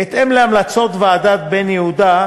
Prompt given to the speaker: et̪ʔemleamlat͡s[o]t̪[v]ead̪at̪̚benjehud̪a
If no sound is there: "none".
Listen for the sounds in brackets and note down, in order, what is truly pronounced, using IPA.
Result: o, v

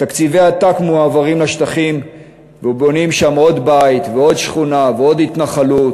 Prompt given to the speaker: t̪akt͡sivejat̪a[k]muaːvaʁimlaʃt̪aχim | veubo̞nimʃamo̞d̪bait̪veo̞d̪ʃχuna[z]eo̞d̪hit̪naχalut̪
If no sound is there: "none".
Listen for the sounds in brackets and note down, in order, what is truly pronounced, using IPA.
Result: k, v

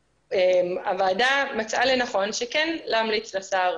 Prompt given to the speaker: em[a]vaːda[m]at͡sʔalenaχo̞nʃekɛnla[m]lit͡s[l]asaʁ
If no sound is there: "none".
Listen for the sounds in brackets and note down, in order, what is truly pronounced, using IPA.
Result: a, m, m, l

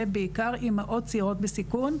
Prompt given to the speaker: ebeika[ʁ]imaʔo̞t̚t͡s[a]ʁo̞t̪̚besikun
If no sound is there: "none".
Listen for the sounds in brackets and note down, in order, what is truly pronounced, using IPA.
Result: ʁ, i

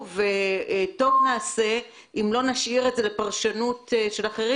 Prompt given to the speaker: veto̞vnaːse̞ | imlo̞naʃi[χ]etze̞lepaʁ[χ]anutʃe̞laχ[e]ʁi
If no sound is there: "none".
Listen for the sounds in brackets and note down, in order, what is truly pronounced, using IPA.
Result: ʁ, ʃ, e

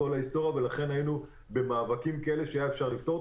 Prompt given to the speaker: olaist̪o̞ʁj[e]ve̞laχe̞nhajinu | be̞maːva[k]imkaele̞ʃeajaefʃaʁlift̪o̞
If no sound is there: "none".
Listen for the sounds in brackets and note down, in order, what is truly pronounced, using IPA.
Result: a, k

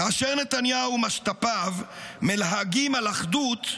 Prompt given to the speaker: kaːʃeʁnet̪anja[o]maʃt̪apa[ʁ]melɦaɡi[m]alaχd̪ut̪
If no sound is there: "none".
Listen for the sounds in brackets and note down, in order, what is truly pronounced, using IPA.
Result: u, v, m

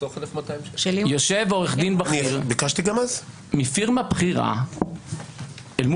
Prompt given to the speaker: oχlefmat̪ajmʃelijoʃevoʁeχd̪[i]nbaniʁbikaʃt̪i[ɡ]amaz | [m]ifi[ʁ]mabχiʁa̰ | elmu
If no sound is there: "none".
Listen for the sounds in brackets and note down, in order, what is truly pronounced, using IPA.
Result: i, ɡ, m, ʁ

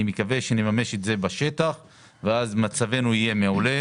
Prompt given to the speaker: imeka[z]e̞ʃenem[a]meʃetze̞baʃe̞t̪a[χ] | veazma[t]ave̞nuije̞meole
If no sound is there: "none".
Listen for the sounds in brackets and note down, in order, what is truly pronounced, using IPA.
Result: v, a, χ, t͡s

